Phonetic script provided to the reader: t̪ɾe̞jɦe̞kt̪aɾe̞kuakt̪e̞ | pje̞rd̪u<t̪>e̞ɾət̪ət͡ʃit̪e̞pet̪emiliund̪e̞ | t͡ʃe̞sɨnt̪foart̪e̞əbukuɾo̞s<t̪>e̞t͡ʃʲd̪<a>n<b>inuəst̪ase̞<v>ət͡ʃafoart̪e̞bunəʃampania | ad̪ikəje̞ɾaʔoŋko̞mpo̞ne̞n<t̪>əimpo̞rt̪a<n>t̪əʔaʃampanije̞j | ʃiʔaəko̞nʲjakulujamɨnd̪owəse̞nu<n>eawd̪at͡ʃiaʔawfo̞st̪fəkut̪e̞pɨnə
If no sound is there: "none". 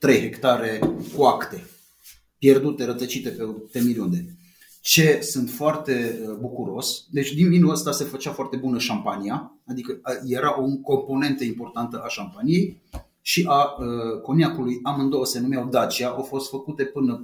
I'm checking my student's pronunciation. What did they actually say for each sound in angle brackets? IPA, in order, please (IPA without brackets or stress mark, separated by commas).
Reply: t̪, d̪, i, v, f, t̪, n, m